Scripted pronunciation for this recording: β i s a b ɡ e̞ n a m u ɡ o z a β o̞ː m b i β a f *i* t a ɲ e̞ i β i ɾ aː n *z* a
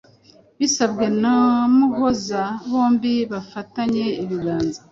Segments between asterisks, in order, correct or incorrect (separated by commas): incorrect, correct